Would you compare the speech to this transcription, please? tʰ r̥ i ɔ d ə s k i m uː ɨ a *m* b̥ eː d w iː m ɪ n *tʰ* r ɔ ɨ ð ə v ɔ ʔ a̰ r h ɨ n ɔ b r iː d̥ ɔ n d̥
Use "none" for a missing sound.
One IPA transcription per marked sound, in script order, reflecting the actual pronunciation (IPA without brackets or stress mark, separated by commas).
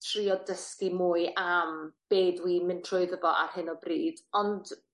m, tʰ